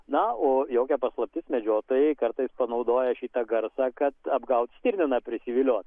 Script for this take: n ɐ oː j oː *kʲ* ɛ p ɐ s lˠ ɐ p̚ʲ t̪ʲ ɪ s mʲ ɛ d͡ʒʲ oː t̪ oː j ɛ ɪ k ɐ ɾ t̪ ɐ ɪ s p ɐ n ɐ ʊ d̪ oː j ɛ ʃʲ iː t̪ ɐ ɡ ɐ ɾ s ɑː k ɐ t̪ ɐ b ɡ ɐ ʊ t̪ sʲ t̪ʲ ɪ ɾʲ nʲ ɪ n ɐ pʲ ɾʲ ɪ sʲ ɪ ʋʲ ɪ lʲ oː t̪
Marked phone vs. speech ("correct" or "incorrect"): correct